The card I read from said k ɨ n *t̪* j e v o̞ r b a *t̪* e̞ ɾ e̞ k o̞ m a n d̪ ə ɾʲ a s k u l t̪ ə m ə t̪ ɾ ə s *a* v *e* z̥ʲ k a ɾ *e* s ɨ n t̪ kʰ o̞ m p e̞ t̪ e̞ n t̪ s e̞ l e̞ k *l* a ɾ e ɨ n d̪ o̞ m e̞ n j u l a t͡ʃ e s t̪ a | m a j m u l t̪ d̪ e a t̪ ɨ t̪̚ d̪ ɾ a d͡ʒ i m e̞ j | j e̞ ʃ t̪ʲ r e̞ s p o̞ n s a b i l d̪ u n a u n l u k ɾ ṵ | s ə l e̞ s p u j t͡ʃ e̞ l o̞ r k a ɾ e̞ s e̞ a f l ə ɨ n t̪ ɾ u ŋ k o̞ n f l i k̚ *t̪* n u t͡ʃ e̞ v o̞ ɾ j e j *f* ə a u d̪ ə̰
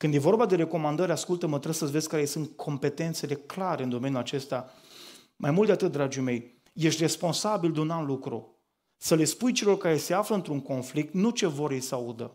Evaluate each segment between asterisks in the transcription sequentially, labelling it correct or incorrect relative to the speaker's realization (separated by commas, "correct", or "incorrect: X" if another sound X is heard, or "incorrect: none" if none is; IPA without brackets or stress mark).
incorrect: d̪, incorrect: d̪, incorrect: ə, correct, correct, correct, correct, incorrect: s